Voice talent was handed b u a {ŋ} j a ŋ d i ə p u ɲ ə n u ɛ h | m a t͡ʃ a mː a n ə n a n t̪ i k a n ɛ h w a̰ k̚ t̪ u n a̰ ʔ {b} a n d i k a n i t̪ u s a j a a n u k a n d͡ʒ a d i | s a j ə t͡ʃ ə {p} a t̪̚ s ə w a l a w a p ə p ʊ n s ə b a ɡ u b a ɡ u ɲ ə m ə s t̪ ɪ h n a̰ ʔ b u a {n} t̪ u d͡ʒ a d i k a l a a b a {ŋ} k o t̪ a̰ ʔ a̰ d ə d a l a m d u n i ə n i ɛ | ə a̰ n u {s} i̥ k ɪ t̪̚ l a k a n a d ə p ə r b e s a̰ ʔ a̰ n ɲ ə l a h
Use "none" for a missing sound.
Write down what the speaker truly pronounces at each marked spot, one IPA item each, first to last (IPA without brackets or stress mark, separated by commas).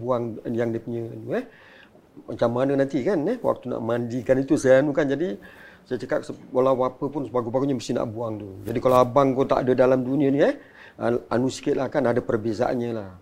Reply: ŋ, m, k, ŋ, ŋ, s